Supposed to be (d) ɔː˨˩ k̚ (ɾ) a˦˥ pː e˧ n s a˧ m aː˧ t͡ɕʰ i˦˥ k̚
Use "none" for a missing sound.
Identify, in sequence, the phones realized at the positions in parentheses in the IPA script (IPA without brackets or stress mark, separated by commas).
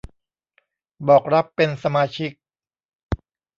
b, ɾ